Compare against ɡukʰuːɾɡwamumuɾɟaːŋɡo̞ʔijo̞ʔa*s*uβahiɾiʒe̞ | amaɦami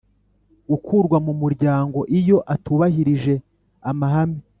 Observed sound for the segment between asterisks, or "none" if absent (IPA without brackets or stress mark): t